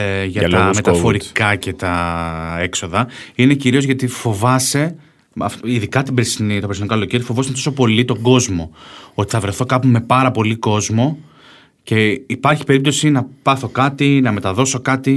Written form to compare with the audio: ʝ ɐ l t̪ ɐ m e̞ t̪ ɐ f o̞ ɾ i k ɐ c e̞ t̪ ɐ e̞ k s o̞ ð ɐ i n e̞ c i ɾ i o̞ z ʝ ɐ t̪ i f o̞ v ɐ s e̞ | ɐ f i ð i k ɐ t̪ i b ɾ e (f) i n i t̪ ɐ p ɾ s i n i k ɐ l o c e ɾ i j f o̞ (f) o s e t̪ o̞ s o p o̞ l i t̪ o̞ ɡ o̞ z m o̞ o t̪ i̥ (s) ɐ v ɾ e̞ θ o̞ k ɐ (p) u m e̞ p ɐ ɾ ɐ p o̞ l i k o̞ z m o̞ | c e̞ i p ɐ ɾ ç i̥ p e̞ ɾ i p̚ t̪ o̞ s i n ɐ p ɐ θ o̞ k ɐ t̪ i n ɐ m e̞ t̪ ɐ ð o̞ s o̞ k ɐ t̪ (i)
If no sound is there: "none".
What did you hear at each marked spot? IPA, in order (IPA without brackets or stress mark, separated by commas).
s, v, θ, p, i